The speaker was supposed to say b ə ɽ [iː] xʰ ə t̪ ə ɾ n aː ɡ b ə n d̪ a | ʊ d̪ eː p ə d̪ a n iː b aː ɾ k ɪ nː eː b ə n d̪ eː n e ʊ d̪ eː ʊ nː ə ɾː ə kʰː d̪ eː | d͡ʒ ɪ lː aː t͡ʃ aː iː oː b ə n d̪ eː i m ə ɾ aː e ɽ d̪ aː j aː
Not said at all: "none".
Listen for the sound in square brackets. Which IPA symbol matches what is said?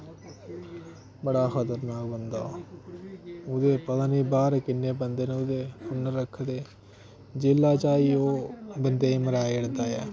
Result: aː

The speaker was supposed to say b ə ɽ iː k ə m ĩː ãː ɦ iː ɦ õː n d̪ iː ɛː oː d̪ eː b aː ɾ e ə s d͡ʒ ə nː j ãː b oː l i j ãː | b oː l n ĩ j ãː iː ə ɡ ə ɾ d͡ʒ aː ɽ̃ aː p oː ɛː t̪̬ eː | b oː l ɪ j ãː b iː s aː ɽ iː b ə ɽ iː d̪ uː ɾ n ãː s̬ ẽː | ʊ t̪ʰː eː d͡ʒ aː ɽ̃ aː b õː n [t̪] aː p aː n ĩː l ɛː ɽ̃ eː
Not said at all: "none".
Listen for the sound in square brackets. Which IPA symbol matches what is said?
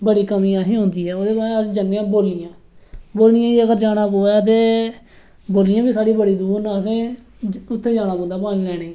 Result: d̪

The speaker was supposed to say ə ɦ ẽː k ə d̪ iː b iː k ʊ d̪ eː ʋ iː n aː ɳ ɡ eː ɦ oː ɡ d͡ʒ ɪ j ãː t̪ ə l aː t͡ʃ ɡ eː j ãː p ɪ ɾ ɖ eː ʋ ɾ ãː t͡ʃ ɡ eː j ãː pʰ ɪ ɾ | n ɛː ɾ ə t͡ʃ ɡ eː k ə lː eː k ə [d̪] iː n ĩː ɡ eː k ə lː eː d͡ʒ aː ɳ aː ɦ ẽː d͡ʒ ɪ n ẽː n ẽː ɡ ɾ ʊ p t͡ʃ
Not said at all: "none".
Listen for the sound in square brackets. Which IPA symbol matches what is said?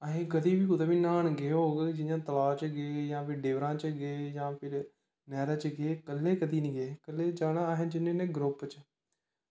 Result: d̪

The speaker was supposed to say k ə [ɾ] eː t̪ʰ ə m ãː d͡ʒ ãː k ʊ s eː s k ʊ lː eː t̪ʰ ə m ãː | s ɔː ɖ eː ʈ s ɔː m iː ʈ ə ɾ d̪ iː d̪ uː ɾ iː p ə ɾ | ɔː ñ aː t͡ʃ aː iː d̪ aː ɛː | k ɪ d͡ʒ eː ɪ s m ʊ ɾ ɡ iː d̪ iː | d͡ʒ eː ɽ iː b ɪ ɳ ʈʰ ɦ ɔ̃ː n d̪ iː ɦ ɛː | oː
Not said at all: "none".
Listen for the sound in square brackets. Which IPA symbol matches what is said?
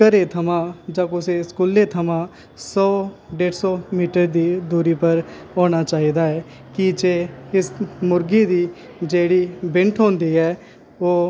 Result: ɾ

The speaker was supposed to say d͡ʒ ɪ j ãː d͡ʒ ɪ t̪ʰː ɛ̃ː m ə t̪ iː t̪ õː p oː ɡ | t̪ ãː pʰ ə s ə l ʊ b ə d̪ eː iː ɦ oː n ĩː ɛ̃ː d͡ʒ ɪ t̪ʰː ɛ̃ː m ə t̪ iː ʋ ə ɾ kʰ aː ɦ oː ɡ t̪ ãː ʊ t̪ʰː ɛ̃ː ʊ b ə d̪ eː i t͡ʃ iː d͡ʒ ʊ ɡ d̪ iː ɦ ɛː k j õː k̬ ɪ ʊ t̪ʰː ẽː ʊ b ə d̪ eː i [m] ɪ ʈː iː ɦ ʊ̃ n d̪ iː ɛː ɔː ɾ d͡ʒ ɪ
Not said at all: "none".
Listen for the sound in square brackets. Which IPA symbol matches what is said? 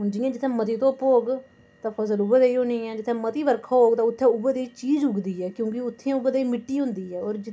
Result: m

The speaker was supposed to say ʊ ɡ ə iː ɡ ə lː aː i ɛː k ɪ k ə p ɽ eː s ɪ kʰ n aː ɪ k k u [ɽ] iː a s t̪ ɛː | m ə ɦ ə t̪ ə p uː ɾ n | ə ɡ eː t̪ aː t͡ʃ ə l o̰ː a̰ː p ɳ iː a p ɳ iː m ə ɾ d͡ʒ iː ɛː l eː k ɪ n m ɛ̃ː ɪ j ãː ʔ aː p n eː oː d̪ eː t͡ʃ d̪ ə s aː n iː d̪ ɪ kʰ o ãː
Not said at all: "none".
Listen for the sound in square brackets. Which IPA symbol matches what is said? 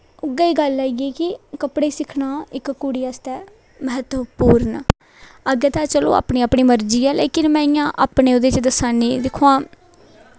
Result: ɽ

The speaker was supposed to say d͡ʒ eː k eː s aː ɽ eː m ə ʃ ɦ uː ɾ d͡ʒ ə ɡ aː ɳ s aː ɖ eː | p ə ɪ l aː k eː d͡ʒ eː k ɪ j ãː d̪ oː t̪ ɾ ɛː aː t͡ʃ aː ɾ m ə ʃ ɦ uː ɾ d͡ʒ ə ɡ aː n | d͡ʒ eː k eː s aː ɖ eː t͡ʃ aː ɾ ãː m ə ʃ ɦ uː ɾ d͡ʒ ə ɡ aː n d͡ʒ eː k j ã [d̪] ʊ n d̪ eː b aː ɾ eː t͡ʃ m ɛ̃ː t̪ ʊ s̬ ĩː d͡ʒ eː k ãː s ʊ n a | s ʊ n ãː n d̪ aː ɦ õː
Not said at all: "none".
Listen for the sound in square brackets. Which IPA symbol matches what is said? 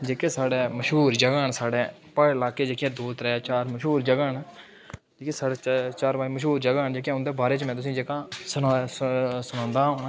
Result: none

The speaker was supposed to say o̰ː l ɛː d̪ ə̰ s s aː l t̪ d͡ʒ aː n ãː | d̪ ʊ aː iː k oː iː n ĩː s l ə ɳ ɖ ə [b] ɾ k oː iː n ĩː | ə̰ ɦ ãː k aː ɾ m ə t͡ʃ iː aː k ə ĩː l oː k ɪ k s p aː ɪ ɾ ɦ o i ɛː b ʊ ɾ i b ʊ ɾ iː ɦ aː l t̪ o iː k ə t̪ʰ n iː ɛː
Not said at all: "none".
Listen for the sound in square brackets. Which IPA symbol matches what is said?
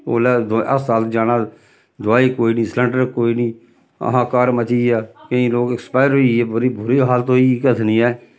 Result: none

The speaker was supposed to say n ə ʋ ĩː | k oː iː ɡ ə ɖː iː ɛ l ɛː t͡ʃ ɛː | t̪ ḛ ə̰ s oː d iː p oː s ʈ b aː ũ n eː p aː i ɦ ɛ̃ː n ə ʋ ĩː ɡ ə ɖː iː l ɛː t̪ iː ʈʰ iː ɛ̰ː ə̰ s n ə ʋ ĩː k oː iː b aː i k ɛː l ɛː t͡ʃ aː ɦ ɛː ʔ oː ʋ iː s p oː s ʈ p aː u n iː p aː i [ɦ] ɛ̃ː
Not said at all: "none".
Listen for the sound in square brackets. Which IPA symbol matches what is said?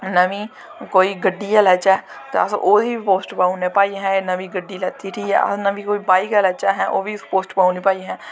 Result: ɦ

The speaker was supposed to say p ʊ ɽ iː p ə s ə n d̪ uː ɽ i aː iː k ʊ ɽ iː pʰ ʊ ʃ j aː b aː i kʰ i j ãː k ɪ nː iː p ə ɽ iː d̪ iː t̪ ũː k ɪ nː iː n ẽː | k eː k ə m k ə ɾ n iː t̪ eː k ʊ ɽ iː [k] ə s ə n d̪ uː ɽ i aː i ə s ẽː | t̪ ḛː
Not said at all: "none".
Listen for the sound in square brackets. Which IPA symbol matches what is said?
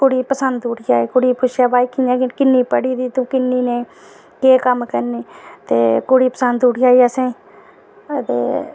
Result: p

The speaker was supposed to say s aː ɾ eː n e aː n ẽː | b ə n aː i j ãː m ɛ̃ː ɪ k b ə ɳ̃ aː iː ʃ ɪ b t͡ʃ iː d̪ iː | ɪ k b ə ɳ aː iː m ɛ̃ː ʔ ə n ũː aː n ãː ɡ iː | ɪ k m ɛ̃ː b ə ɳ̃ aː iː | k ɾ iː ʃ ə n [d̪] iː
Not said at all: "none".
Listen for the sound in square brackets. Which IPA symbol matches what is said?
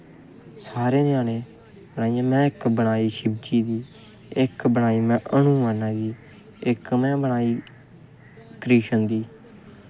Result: d̪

